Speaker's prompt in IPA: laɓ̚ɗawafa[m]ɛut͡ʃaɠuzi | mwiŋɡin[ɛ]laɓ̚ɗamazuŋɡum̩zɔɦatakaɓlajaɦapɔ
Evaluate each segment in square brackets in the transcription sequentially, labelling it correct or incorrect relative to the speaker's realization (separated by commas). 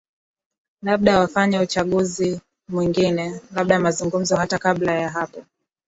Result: incorrect, correct